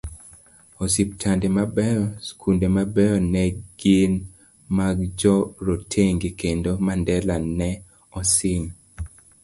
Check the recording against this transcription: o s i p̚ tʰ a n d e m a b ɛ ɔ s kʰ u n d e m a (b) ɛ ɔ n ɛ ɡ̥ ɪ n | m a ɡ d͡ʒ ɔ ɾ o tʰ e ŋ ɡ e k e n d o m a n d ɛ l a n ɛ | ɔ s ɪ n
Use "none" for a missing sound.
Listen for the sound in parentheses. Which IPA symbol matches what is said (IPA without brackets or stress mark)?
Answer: b